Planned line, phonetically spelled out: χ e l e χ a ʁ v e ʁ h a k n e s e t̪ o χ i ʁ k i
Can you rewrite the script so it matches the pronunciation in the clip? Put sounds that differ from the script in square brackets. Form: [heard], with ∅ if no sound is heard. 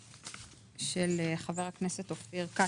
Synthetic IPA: [ʃ] e l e χ a [∅] v e ʁ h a k n e s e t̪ o [f] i ʁ k [a]